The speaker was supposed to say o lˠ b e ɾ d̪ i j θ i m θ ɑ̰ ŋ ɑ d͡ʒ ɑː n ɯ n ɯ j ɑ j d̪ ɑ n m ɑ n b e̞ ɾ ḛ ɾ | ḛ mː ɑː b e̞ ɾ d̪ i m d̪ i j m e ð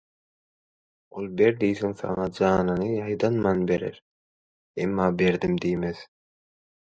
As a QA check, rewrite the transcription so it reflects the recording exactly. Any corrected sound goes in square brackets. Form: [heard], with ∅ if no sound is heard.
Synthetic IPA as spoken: o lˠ b e ɾ d̪ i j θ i [ŋ] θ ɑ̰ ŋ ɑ d͡ʒ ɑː n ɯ n ɯ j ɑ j d̪ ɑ n m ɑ n b e̞ ɾ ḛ ɾ | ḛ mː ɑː b e̞ ɾ d̪ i m d̪ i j m e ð